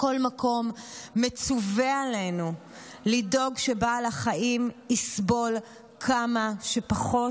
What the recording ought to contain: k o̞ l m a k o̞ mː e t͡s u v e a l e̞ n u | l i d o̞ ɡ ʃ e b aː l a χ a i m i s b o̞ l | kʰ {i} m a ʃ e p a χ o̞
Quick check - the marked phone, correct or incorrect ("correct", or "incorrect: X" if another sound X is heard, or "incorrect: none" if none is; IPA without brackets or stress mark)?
incorrect: a